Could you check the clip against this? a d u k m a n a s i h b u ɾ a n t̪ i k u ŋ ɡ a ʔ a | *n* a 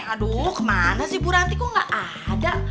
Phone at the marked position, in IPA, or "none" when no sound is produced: d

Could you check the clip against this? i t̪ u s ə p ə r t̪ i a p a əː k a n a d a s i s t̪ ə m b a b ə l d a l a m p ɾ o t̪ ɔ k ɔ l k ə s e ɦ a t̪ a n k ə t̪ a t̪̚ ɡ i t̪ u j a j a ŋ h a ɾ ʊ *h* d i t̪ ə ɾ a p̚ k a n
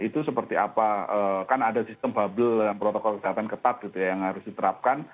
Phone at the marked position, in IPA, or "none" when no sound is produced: s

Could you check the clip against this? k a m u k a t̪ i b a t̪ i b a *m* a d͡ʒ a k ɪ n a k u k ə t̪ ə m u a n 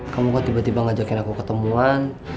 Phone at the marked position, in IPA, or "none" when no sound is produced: ŋ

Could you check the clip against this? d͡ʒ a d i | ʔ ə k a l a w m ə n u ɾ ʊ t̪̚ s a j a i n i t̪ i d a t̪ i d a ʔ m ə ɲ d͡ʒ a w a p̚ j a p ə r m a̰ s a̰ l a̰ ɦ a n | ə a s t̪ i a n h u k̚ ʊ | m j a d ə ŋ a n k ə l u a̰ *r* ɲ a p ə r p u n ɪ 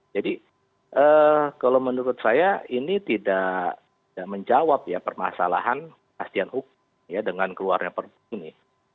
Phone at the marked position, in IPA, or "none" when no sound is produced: r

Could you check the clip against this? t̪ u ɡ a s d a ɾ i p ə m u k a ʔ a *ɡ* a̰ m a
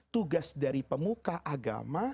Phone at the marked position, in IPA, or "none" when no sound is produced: ɡ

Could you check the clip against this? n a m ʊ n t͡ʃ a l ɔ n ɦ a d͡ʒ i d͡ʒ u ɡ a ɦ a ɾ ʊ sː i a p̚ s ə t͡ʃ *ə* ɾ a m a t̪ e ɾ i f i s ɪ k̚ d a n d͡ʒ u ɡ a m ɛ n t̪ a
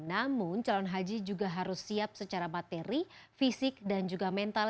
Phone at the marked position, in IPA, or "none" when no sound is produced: a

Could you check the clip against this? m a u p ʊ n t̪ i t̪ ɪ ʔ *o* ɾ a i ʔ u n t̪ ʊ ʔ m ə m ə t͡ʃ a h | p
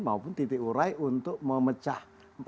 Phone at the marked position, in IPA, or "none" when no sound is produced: u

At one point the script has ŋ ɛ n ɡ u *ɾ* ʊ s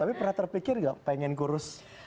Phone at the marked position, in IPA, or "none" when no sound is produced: ɾ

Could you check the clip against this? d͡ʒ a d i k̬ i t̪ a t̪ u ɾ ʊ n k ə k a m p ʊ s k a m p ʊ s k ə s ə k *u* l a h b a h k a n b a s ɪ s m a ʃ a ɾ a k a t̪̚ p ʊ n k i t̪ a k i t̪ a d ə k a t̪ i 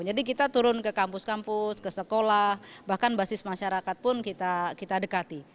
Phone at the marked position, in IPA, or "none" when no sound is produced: o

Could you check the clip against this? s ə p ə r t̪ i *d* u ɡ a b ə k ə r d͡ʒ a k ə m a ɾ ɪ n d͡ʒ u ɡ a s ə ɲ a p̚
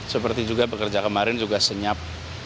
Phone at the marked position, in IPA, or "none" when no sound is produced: d͡ʒ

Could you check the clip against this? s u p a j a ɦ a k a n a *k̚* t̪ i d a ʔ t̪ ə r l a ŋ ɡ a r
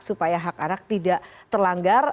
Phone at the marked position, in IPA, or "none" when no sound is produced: k̚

